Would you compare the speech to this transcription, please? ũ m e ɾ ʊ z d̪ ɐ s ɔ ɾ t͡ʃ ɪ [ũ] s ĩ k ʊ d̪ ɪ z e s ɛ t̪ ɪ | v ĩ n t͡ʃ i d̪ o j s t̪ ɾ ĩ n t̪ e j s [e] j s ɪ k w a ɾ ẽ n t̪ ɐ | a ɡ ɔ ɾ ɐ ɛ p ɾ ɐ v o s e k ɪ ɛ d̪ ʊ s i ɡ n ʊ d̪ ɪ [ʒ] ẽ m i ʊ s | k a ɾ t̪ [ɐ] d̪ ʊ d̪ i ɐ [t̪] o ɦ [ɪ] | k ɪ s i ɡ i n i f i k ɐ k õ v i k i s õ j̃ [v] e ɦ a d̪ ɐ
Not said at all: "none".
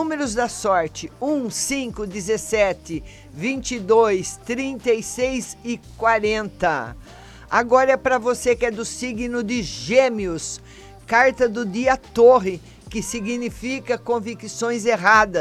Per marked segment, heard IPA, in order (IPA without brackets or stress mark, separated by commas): ũ, e, ʒ, ɐ, t̪, ɪ, z